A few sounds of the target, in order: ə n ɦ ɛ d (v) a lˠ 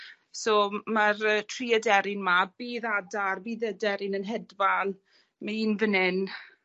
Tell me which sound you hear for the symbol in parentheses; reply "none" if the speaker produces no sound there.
v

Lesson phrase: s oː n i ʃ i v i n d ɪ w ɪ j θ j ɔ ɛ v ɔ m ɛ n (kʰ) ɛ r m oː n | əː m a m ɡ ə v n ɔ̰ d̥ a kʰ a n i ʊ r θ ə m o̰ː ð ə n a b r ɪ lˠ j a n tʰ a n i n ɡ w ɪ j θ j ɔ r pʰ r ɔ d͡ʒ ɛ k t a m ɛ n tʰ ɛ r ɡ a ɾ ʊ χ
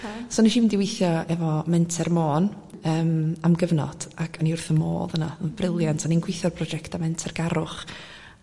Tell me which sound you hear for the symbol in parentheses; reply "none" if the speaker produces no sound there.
tʰ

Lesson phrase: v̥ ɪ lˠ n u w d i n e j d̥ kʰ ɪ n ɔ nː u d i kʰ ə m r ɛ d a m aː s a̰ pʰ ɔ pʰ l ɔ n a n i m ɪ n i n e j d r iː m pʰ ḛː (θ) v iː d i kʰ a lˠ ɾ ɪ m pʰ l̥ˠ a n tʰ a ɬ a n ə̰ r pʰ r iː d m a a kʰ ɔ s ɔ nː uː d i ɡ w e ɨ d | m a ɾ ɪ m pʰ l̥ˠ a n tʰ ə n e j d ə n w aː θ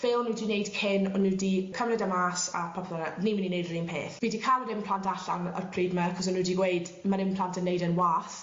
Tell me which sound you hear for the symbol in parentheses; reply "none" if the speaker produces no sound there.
θ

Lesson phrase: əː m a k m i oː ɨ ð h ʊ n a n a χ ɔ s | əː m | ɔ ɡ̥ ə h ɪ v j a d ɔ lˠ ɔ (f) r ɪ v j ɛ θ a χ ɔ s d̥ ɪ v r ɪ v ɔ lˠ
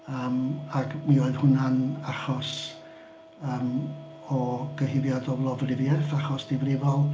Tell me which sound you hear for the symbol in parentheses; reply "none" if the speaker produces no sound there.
v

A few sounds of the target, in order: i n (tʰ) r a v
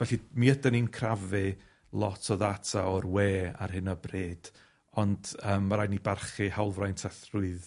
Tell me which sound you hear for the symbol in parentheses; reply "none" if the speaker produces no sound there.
kʰ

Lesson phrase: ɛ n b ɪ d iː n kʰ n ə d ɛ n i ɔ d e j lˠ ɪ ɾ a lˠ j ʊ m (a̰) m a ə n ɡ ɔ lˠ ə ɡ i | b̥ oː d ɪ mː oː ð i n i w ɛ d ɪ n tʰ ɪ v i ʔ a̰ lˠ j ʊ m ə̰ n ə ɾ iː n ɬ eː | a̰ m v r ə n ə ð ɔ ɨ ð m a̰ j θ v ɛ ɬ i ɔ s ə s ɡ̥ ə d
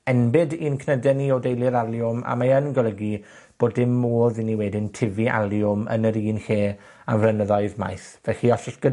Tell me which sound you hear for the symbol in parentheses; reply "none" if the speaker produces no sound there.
a̰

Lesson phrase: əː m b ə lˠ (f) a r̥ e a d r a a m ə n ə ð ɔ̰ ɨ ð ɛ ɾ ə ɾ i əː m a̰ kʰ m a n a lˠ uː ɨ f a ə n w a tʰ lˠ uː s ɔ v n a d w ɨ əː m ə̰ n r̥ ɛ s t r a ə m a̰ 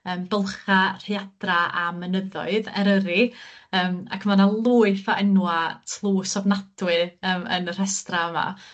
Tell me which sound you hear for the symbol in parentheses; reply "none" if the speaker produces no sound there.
χ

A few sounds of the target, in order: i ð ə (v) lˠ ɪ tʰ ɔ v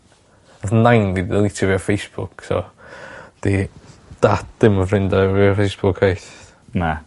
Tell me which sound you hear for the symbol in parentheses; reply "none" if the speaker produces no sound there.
none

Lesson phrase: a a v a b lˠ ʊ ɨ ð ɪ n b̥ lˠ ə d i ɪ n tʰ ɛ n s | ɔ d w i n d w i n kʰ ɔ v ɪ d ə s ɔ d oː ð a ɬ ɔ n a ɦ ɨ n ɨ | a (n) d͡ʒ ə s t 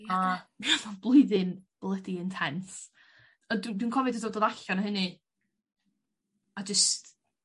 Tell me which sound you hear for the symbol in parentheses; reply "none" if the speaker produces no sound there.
none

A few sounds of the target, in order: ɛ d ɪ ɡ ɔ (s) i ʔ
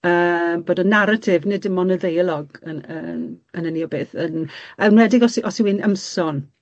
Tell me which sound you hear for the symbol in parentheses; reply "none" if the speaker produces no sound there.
s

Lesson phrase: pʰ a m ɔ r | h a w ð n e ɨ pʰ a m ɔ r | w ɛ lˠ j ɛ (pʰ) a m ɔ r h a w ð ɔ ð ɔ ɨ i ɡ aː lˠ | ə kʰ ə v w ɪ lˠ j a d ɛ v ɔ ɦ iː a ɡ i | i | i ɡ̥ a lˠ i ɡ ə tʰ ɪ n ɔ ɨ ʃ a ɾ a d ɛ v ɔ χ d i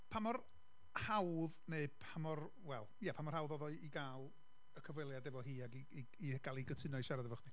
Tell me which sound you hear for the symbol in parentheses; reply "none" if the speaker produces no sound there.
pʰ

